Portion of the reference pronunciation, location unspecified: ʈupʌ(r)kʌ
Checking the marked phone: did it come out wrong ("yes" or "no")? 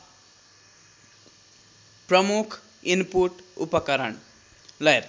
yes